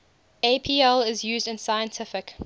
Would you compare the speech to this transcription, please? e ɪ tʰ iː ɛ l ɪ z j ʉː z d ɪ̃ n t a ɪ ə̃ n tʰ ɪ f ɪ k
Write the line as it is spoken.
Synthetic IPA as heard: e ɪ pʰ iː ɛ l ɪ z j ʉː z d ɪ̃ n s a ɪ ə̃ n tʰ ɪ f ɪ k